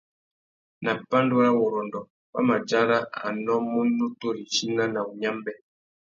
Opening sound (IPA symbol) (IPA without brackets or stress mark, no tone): n